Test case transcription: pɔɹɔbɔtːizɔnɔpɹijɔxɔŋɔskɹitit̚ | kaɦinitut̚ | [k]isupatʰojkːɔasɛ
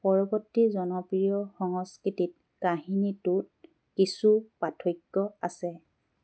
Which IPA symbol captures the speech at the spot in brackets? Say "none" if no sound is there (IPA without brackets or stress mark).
k